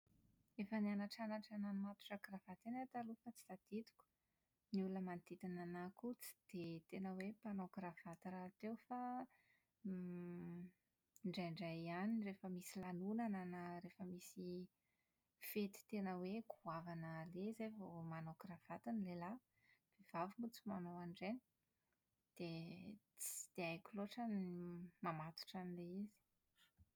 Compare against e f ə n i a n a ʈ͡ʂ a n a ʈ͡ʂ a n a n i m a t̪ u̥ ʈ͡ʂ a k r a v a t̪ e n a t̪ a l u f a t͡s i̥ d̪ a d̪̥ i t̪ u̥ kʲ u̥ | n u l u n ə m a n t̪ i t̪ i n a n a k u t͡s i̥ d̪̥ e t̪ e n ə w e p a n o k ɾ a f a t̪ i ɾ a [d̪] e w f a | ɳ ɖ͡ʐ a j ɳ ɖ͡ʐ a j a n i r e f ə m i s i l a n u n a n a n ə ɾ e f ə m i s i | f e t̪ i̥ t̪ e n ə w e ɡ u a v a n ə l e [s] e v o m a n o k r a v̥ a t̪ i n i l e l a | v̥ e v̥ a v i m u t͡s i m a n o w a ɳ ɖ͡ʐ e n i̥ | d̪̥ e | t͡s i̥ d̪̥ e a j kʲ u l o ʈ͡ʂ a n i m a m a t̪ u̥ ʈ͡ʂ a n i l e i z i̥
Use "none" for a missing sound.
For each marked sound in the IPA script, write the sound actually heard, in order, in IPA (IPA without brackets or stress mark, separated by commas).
t̪, z